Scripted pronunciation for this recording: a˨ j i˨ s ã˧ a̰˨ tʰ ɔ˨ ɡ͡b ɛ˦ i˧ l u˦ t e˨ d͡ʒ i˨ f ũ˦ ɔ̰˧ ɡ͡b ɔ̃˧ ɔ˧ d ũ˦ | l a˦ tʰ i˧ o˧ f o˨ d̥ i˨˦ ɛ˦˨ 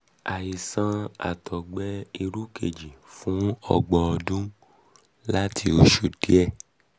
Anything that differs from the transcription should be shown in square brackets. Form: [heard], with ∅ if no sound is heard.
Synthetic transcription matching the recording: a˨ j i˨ s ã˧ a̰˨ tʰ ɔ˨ ɡ͡b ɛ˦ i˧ [ɾ] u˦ [k] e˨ d͡ʒ i˨ f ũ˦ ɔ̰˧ ɡ͡b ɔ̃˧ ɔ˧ d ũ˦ | l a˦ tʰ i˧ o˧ [ʃ] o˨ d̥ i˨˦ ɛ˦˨